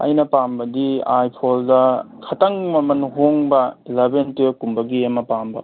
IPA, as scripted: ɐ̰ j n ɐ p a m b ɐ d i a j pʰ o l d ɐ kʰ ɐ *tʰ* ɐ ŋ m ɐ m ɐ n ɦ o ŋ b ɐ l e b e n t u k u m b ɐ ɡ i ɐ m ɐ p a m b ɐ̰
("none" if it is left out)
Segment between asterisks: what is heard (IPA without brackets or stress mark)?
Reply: t